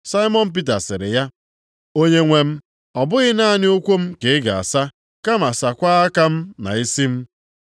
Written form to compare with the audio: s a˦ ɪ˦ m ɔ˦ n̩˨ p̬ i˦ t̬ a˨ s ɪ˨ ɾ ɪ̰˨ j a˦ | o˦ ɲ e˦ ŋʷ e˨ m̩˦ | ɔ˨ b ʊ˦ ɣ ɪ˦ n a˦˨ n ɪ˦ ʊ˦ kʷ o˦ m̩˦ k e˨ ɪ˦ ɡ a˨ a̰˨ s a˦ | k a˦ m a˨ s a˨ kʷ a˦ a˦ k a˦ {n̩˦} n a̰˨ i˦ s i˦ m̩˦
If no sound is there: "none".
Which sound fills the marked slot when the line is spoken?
m̩˦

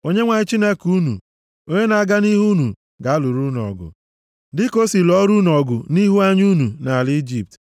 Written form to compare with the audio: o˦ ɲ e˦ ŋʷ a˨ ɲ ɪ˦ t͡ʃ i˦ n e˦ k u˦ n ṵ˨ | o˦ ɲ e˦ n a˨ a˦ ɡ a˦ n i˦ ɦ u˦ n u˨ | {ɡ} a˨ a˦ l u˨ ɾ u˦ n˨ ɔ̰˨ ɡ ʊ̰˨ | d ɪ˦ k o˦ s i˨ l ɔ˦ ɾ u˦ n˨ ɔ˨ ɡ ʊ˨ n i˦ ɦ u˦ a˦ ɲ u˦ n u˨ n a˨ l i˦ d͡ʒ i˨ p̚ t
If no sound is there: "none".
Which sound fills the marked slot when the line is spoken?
ɡ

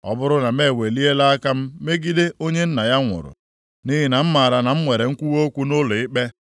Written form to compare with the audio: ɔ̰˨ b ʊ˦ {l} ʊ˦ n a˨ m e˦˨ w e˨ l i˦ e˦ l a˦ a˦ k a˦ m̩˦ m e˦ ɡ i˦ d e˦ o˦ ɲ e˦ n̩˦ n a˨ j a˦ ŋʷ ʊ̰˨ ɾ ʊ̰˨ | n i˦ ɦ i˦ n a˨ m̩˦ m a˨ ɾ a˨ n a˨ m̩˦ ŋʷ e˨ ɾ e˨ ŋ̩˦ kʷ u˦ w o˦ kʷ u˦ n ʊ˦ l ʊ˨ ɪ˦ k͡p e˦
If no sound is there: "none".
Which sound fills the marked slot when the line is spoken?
ɾ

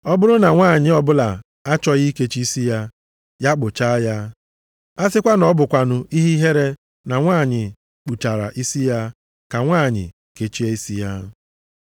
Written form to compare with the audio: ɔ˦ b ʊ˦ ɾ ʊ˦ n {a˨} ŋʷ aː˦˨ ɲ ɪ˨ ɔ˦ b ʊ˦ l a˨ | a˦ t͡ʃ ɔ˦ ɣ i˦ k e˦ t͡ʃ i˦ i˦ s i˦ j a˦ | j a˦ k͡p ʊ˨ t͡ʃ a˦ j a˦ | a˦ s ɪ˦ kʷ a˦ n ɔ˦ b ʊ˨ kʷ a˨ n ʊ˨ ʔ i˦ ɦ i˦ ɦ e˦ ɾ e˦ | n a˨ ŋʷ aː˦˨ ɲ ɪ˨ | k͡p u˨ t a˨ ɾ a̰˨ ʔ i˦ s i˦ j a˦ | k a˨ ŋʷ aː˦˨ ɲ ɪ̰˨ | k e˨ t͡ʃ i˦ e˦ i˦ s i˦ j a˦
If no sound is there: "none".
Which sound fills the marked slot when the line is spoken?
a˨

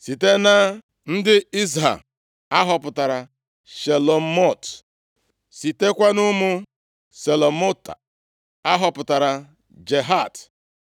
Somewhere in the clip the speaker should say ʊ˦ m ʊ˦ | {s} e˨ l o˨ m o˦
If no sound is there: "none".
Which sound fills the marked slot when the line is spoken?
s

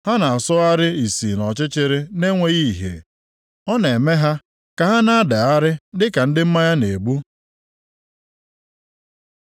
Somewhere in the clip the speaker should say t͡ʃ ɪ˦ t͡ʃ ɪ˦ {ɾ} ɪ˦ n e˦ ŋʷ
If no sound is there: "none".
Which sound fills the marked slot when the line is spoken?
ɾ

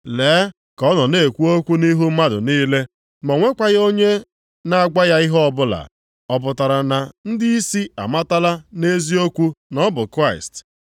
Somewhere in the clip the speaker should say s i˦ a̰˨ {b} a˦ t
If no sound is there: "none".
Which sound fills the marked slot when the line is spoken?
m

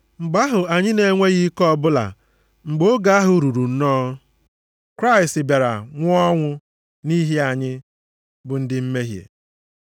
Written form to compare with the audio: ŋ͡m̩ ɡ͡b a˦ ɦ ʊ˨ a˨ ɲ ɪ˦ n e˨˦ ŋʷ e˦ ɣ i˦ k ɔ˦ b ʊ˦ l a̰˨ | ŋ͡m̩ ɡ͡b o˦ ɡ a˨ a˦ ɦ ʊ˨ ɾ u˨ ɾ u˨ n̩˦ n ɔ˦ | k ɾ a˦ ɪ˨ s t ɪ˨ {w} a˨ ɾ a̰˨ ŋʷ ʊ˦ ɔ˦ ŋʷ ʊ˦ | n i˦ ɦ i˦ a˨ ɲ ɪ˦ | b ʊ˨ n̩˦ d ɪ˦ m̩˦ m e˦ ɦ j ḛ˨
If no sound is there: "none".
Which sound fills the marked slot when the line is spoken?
b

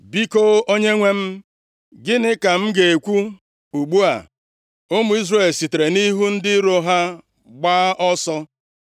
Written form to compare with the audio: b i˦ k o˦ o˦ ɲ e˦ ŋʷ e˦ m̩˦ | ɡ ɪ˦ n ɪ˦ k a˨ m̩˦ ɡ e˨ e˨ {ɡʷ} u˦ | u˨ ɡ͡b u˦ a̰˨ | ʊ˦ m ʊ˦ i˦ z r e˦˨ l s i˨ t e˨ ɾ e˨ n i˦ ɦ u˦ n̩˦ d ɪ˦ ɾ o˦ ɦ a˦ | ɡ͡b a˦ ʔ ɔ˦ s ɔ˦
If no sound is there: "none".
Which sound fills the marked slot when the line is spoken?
kʷ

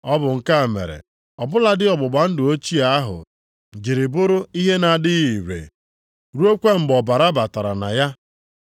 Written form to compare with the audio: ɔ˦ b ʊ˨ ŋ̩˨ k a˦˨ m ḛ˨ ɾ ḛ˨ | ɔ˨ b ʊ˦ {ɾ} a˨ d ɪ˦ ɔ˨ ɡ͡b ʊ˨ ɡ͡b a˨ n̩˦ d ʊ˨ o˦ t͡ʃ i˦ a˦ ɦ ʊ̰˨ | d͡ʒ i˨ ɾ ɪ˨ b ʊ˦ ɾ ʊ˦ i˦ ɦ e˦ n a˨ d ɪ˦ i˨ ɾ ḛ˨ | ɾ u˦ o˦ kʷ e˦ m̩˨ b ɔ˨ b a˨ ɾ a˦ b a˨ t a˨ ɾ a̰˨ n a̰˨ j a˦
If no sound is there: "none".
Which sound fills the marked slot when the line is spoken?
l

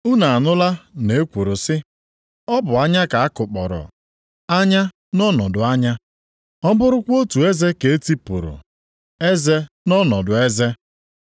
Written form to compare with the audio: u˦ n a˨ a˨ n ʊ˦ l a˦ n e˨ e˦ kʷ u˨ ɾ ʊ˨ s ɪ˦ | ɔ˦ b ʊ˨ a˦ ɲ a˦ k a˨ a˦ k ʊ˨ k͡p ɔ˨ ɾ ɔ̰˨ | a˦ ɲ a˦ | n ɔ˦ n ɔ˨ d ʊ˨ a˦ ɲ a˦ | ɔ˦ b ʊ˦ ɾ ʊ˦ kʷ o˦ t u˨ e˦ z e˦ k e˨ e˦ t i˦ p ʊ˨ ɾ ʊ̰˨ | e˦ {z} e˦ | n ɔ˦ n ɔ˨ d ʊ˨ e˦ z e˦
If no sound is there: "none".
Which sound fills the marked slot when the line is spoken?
z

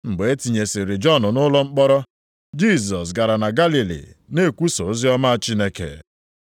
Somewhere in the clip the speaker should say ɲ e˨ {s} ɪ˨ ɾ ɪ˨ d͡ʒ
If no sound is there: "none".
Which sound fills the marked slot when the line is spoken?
s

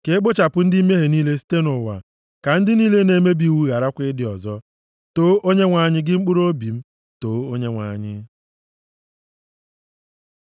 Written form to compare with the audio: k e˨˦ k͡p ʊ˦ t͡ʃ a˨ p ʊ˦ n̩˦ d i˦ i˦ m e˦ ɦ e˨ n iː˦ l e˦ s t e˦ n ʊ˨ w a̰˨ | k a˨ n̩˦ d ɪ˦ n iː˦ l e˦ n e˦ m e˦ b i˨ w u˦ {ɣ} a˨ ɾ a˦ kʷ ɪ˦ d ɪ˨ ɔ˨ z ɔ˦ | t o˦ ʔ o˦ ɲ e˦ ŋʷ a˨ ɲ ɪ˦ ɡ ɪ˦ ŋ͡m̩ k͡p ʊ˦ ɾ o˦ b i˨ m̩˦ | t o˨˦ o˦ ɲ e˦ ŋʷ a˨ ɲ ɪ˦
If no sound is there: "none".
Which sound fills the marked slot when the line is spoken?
ɣ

